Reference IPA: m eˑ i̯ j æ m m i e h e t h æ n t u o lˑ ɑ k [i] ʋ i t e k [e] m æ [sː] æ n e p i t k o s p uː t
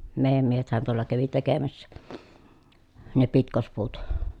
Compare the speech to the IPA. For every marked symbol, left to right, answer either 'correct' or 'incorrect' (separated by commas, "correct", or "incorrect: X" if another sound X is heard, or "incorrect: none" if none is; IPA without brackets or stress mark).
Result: incorrect: æ, correct, correct